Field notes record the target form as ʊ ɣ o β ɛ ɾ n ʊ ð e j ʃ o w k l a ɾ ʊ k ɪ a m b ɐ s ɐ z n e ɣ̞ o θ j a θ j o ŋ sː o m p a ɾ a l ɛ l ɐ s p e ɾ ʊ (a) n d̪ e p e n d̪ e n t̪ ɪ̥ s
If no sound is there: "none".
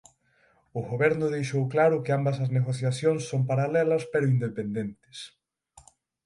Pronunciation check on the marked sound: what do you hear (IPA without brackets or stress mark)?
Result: i